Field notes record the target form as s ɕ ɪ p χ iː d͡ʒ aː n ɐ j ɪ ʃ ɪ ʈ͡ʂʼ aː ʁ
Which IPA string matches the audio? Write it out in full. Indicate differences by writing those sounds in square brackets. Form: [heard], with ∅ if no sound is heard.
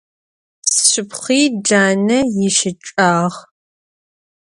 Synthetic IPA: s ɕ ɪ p χ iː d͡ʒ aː n ɐ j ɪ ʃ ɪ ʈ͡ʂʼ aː ʁ